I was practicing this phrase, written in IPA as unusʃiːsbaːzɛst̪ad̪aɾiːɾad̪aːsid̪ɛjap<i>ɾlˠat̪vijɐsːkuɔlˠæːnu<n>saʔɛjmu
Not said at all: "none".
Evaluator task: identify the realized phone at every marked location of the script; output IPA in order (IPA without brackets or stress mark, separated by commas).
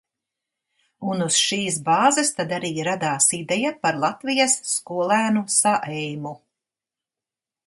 a, none